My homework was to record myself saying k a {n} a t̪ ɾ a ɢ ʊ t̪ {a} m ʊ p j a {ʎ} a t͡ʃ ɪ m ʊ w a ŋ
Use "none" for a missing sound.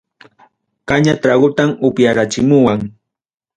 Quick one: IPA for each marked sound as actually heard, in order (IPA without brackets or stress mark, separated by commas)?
ɲ, a, ɾ